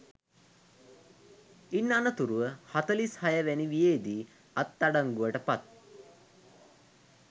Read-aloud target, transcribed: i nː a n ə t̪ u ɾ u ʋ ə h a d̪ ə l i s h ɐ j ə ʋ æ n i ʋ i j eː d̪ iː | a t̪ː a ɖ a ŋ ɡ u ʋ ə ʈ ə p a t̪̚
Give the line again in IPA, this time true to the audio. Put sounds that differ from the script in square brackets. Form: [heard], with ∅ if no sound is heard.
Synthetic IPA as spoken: i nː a n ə t̪ u ɾ u ʋ ə h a [t̪] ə l i s h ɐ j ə ʋ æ n i ʋ i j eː d̪ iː | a t̪ː a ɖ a ŋ ɡ u ʋ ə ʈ ə p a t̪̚